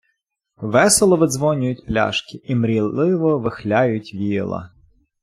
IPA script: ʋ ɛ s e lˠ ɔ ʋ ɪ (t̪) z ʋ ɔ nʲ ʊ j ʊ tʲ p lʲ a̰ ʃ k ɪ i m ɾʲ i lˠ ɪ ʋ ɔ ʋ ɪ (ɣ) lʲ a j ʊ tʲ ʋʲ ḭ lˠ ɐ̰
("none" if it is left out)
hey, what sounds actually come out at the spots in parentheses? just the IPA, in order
d̪, x

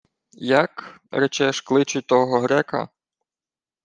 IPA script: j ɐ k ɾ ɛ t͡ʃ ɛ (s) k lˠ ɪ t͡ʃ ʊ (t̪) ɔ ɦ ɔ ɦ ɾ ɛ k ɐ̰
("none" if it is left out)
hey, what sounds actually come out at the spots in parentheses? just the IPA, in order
ʃ, t̪

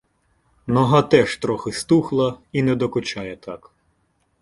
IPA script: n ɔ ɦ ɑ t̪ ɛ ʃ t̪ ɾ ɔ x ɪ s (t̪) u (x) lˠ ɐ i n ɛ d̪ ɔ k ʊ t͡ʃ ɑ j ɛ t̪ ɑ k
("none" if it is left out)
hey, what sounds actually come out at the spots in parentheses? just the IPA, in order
t̪, x

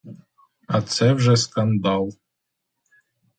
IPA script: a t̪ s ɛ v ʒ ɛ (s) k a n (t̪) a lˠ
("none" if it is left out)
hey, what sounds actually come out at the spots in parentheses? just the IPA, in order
s, d̪

